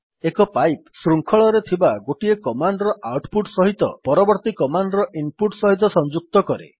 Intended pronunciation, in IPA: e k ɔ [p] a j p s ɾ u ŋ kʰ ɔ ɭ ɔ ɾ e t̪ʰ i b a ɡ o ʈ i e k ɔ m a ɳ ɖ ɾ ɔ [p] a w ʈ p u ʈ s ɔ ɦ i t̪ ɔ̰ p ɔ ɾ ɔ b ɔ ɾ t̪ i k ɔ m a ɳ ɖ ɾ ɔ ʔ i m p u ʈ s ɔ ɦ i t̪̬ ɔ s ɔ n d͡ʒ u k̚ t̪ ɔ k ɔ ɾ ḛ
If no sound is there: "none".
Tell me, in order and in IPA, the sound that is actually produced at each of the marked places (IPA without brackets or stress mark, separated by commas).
p, ʔ